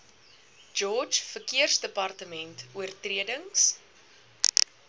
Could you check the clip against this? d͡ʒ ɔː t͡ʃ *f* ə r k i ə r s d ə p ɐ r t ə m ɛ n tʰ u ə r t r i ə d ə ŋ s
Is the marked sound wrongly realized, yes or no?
no